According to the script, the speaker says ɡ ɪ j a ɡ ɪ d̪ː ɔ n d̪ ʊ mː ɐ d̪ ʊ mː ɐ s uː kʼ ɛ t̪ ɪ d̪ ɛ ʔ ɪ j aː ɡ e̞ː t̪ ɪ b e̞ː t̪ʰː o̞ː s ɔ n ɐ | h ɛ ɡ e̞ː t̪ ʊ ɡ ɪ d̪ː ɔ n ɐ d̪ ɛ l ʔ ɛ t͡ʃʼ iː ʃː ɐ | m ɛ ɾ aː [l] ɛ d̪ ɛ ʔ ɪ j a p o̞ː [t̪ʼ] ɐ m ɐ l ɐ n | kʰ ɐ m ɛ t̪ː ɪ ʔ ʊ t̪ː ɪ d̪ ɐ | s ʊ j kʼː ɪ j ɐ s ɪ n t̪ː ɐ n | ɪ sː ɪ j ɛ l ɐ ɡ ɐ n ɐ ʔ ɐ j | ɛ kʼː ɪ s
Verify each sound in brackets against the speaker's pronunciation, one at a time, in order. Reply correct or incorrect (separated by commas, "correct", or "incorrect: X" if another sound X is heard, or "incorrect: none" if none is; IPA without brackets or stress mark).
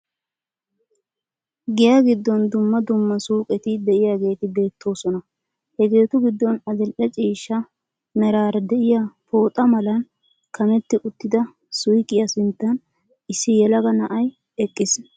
incorrect: ɾ, correct